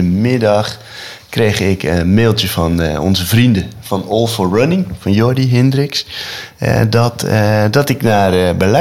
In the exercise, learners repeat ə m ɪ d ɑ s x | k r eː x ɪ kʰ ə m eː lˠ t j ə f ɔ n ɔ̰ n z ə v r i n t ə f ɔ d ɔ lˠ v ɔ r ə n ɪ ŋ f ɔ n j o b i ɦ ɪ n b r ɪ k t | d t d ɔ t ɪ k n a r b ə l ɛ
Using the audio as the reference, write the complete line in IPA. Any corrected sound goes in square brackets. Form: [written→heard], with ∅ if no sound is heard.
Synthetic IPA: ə m ɪ d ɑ [s→∅] x | k r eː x ɪ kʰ ə m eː lˠ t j ə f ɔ n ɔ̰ n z ə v r i n [t→d] ə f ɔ [d→n] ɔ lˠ [v→f] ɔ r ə n ɪ ŋ f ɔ n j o [b→d] i ɦ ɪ n [b→d] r ɪ k [t→s] | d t d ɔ t ɪ k n a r b ə l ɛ